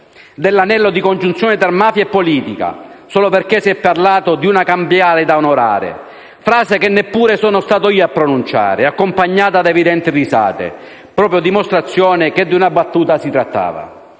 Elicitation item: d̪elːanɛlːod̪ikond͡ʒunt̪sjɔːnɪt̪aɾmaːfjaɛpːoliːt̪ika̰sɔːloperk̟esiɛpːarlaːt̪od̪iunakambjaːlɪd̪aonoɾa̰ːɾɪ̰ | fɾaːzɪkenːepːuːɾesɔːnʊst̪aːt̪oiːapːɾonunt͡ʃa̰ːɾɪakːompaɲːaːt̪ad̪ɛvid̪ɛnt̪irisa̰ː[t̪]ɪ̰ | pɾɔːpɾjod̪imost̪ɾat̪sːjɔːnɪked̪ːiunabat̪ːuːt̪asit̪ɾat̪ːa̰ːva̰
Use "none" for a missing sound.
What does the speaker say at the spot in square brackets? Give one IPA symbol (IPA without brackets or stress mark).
t̪